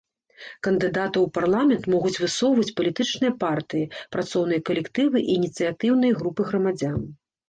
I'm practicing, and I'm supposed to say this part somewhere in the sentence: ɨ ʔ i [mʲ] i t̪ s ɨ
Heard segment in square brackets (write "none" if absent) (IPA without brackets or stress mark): nʲ